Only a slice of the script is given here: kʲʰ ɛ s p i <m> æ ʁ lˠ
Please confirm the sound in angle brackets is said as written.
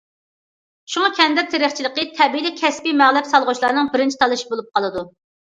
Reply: yes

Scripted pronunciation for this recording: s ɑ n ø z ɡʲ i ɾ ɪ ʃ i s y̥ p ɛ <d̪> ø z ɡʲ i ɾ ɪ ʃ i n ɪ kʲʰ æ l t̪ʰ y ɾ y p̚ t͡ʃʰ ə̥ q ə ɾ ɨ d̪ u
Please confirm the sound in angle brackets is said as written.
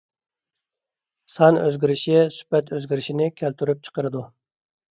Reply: no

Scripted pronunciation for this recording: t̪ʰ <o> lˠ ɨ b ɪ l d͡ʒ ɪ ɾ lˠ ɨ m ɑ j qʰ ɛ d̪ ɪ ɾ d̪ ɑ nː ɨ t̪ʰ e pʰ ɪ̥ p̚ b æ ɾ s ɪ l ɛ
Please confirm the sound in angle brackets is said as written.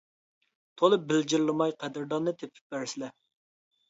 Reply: yes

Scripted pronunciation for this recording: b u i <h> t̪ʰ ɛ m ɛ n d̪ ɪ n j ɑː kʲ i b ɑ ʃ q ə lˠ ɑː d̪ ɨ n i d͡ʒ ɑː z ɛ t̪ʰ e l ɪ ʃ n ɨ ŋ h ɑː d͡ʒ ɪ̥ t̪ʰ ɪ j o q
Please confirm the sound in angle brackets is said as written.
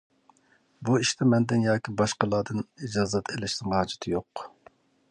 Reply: no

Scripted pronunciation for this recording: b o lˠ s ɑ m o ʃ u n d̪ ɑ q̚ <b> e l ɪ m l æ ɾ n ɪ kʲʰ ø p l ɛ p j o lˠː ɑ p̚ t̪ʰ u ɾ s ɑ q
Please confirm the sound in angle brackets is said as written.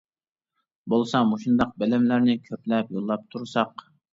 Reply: yes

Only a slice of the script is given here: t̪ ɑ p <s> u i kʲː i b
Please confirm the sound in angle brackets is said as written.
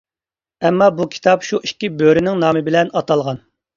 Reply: no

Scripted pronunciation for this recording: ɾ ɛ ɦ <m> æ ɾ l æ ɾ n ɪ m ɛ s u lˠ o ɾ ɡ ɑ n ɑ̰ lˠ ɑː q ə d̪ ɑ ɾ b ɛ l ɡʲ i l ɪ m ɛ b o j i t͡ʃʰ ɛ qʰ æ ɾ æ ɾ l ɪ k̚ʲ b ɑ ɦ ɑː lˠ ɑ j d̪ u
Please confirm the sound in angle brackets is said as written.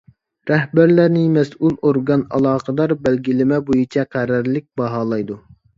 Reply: no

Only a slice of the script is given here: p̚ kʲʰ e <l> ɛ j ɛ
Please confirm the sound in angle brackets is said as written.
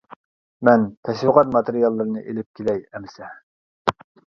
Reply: yes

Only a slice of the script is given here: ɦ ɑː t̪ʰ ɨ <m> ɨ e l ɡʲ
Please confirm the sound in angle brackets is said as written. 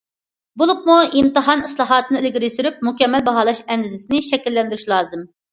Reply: no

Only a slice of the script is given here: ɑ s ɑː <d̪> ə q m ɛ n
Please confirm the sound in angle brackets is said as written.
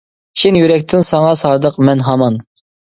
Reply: yes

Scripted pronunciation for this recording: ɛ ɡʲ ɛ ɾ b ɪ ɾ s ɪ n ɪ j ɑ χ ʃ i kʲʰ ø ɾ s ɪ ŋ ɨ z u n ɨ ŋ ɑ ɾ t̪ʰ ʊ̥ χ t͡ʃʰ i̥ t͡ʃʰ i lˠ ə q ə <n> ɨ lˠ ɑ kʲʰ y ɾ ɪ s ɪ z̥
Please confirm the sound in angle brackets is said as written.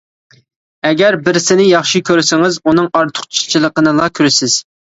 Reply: yes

